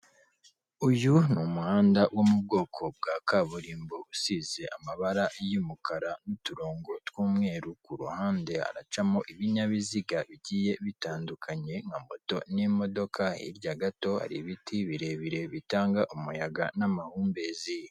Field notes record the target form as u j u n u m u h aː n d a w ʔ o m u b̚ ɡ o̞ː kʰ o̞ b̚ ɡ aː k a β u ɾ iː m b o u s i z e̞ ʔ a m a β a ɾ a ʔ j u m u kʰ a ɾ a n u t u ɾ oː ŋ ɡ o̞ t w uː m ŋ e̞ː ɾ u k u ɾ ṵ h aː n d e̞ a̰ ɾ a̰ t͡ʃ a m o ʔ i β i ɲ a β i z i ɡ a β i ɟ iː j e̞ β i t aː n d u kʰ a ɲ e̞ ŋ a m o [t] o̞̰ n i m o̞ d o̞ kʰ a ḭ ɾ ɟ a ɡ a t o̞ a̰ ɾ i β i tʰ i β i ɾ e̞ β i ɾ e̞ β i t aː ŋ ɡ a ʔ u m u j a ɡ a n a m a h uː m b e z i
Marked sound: correct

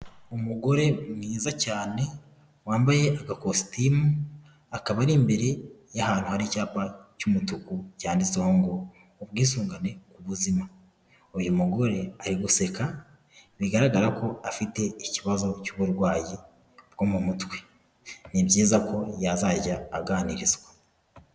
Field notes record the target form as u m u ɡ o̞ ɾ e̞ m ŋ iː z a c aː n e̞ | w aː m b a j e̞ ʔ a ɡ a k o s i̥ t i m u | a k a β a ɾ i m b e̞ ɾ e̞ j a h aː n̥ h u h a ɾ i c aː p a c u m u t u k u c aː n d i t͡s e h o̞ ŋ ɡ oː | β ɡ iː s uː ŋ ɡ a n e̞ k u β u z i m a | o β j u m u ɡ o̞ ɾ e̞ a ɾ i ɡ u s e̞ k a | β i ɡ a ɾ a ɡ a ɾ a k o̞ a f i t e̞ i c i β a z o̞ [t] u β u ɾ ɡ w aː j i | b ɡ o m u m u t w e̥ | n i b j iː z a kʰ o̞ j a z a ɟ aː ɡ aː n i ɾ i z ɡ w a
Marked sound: incorrect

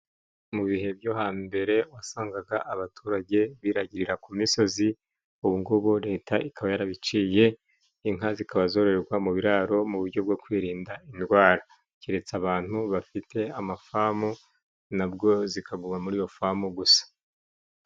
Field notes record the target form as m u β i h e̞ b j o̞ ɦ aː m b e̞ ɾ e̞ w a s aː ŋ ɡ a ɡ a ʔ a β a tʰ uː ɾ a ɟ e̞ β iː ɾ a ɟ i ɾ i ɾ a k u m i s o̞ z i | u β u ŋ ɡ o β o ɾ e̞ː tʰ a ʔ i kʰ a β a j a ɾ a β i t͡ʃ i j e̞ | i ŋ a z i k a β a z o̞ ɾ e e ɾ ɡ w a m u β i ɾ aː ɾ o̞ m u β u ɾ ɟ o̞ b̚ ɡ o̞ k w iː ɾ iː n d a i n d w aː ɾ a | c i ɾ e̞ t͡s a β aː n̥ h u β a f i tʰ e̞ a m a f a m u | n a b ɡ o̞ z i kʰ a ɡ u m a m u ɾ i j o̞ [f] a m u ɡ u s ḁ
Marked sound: correct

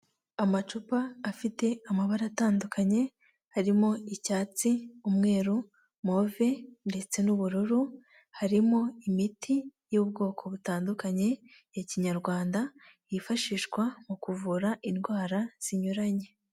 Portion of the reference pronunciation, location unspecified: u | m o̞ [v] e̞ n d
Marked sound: correct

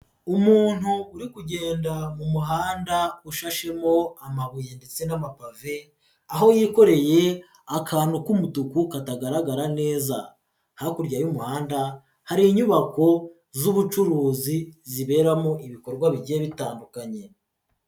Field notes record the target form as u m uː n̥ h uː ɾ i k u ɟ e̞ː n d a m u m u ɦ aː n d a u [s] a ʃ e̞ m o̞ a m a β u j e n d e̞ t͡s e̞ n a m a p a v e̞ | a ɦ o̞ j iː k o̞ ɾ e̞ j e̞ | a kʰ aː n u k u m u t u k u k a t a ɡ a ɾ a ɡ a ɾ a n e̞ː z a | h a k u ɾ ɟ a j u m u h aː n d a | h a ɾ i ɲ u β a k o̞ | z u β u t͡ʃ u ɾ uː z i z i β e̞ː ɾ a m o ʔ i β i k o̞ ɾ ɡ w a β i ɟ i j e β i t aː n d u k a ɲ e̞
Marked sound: incorrect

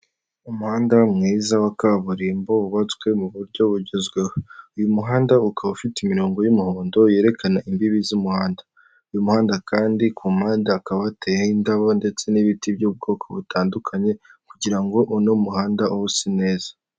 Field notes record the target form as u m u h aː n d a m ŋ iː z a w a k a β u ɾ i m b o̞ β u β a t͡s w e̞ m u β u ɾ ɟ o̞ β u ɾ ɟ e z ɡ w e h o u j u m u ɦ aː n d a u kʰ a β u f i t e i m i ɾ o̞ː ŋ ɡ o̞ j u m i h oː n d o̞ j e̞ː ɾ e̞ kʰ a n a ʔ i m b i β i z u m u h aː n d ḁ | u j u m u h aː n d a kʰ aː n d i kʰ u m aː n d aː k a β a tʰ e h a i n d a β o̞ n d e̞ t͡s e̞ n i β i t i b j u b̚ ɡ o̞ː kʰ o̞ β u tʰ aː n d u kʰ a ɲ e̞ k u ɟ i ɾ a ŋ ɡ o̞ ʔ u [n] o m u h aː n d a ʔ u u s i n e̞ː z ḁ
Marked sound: correct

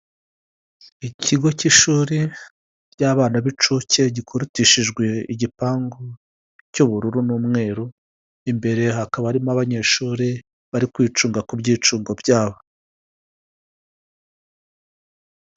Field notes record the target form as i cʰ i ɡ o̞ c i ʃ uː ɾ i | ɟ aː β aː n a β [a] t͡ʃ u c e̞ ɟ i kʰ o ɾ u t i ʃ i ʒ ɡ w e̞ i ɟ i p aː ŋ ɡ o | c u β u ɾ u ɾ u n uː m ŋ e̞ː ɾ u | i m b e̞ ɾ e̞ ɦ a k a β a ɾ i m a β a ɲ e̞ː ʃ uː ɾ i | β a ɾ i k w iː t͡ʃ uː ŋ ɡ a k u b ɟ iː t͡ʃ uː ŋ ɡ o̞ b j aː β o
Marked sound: incorrect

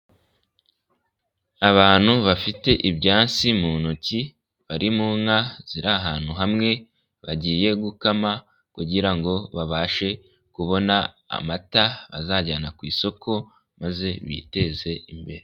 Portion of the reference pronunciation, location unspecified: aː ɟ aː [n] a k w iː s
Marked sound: correct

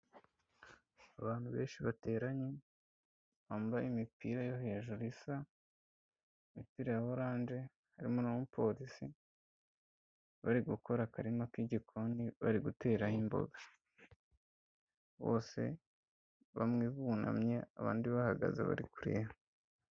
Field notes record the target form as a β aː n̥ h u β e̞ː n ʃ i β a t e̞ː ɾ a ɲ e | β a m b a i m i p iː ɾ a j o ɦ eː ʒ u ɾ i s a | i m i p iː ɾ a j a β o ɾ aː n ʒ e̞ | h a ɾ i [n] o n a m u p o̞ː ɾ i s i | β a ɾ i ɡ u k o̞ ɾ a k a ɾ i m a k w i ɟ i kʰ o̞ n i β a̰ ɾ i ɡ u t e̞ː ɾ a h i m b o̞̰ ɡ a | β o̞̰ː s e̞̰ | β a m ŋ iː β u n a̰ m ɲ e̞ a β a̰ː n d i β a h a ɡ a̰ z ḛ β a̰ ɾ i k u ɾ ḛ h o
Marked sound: incorrect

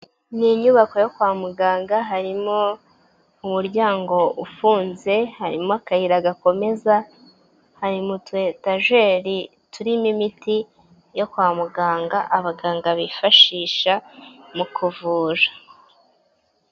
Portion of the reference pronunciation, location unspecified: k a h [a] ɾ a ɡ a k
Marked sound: incorrect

